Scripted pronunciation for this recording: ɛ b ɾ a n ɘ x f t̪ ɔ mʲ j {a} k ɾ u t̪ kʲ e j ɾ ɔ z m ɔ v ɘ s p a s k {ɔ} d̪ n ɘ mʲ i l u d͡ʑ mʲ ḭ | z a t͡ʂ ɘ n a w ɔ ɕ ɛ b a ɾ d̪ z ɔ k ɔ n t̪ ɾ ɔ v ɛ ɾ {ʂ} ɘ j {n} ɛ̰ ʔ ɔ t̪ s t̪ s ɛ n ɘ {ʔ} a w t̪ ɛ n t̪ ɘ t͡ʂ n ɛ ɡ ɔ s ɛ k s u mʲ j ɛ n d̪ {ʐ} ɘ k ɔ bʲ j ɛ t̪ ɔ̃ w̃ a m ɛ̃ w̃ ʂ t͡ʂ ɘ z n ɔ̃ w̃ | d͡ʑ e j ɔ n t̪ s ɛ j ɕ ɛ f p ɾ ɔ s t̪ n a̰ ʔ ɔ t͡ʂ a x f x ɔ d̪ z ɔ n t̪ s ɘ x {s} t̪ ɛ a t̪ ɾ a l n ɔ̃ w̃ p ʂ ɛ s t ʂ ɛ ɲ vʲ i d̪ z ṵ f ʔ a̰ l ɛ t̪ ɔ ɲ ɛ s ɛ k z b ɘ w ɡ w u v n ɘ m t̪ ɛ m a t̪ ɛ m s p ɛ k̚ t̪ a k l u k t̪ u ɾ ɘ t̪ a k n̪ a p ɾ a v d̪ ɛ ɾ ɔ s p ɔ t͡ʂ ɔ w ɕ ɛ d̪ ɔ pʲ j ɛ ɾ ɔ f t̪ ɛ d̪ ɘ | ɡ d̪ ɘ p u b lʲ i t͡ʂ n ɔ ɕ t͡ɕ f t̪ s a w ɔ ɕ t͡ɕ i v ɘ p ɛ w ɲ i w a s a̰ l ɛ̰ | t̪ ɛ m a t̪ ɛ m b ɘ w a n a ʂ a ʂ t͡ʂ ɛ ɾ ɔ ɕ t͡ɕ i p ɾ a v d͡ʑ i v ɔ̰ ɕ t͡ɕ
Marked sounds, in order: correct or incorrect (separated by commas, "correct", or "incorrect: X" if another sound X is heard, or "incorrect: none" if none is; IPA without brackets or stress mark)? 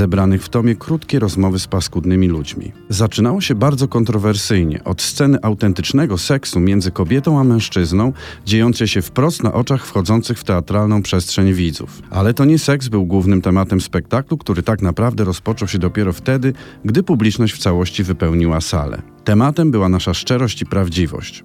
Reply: incorrect: ɛ, incorrect: u, incorrect: s, incorrect: ɲ, correct, incorrect: z, incorrect: f